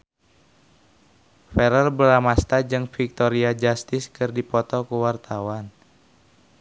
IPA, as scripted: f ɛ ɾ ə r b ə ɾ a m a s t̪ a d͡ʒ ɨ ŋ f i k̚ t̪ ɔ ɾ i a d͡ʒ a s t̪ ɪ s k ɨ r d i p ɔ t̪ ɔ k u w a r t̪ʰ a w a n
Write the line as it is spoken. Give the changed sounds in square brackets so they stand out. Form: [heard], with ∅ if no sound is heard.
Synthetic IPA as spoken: f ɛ ɾ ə r b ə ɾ a m a s t̪ a d͡ʒ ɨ ŋ f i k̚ t̪ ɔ ɾ i a d͡ʒ a s t̪ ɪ s k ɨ r d i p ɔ t̪ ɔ k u w a r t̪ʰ a w a n

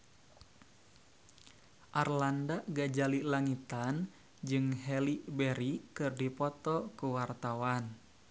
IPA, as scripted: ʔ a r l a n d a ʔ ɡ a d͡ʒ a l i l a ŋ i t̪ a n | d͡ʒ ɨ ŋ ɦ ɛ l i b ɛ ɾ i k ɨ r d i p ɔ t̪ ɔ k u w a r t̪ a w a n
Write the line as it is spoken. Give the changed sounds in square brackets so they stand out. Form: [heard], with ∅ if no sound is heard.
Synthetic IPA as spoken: ʔ a r l a n d a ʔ ɡ a d͡ʒ a l i l a ŋ i t̪ a n | d͡ʒ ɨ ŋ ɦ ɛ l i b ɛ ɾ i k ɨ r d i p ɔ t̪ ɔ k u w a r t̪ a w a n

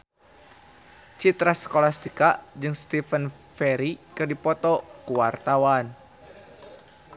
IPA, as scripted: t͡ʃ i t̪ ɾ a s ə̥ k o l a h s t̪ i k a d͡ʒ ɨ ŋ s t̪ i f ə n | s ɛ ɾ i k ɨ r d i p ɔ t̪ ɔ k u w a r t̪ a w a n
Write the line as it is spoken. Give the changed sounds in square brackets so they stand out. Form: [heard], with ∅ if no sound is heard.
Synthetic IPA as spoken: t͡ʃ i t̪ ɾ a s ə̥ k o l a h s t̪ i k a d͡ʒ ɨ ŋ s t̪ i f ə n | [f] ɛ ɾ i k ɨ r d i p ɔ t̪ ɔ k u w a r t̪ a w a n

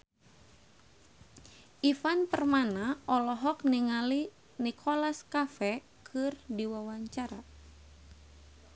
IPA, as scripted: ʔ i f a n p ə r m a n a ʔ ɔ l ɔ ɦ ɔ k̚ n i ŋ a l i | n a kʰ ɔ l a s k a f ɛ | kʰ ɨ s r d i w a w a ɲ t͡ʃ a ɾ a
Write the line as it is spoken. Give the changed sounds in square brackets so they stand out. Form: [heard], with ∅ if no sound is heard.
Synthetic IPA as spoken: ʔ i f a n p ə r m a n a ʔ ɔ l ɔ ɦ ɔ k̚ n i ŋ a l i | n [i] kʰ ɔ l a s k a f ɛ | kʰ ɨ [∅] r d i w a w a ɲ t͡ʃ a ɾ a

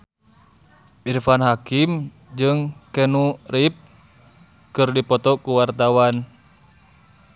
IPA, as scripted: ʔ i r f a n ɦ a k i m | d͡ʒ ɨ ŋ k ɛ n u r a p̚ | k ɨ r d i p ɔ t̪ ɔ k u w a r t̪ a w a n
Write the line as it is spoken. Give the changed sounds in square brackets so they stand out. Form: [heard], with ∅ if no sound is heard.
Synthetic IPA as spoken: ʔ i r f a n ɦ a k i m | d͡ʒ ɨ ŋ k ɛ n u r [i] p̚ | k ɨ r d i p ɔ t̪ ɔ k u w a r t̪ a w a n

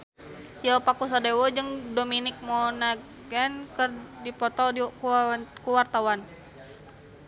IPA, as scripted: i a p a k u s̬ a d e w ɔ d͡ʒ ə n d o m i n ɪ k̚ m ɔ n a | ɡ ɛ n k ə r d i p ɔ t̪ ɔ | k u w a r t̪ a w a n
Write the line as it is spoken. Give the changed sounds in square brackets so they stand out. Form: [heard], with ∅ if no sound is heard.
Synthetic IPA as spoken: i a p a k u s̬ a d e w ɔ d͡ʒ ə [ŋ] d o m i n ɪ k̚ m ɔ n a | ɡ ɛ n k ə r d i p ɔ t̪ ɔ | k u w a r t̪ a w a n

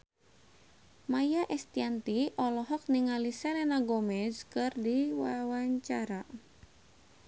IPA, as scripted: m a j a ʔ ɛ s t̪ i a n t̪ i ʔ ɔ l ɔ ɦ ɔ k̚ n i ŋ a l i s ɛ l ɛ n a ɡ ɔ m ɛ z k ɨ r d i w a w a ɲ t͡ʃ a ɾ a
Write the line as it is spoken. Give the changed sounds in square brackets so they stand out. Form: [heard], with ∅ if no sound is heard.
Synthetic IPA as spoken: m a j a ʔ ɛ s t̪ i a n t̪ i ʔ ɔ l ɔ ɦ ɔ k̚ n i ŋ a l i s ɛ l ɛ n a ɡ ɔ m ɛ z k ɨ r d i w a w a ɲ t͡ʃ a ɾ a

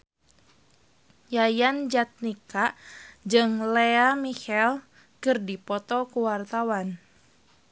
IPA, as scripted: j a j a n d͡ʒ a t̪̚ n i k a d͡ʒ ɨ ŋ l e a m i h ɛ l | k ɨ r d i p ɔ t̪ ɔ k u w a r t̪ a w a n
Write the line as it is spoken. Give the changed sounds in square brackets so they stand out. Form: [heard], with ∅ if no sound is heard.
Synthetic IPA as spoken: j a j a n d͡ʒ a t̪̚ n i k a d͡ʒ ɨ ŋ l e a m i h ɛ l | k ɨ r d i p ɔ t̪ ɔ k u w a r t̪ a w a n

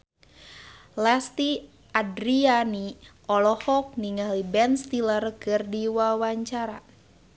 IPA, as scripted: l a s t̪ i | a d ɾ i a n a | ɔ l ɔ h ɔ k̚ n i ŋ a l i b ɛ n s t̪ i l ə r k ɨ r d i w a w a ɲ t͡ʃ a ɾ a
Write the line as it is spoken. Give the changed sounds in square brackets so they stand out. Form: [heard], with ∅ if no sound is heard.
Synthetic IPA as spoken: l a s t̪ i | a d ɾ i a n [i] | ɔ l ɔ h ɔ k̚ n i ŋ a l i b ɛ n s t̪ i l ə r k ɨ r d i w a w a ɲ t͡ʃ a ɾ a

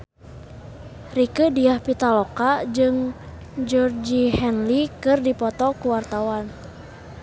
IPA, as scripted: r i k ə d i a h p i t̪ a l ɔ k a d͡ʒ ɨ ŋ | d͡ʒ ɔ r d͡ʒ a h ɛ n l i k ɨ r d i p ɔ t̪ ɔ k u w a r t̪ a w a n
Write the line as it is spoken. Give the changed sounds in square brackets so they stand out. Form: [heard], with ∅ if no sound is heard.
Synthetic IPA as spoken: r i k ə d i a h p i t̪ a l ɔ k a d͡ʒ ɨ ŋ | d͡ʒ ɔ r d͡ʒ [i] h ɛ n l i k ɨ r d i p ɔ t̪ ɔ k u w a r t̪ a w a n

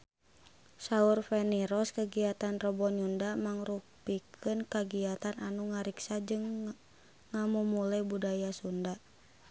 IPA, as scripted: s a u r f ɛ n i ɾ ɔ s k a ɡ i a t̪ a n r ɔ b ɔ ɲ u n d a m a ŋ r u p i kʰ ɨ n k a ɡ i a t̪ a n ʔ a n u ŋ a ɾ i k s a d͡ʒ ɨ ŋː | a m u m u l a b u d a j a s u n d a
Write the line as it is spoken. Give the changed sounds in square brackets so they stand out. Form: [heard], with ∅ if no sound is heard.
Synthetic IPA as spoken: s a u r f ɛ n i ɾ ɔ s k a ɡ i a t̪ a n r ɔ b ɔ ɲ u n d a m a ŋ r u p i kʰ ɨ n k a ɡ i a t̪ a n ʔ a n u ŋ a ɾ i k s a d͡ʒ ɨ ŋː | a m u m u l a b u d a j a s u n d a

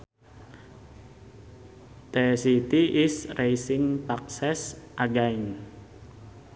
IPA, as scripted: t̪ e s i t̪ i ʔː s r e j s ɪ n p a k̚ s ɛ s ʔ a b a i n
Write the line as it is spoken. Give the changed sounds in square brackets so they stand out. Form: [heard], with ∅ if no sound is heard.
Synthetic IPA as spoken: t̪ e s i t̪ i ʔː s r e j s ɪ [ŋ] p a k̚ s ɛ s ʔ a [ɡ] a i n

